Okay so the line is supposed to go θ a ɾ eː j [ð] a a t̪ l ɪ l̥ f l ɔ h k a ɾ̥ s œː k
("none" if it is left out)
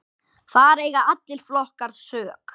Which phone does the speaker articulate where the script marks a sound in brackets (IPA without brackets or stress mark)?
ɣ